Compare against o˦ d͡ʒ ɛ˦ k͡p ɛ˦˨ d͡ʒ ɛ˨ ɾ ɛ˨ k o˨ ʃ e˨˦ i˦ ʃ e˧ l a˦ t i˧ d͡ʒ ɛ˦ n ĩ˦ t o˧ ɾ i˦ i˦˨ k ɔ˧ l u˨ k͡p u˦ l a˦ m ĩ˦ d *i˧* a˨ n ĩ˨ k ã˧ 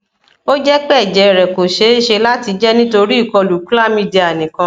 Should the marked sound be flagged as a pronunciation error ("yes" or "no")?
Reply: no